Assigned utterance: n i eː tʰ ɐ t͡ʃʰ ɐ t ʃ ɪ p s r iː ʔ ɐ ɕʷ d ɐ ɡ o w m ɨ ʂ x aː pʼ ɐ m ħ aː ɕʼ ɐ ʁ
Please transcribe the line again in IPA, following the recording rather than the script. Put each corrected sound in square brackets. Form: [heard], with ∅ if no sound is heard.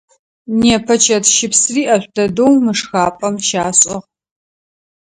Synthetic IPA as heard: n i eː [pʰ] ɐ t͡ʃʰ ɐ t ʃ ɪ p s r iː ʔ ɐ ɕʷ d ɐ [d] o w m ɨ ʂ x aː pʼ ɐ m [ʃ] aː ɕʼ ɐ ʁ

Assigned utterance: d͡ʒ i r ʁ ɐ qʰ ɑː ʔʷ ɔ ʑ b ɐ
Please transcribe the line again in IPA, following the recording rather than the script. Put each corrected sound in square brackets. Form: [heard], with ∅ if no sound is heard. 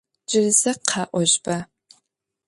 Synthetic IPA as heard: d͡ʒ [ɪ] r [z] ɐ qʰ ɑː ʔʷ ɔ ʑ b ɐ

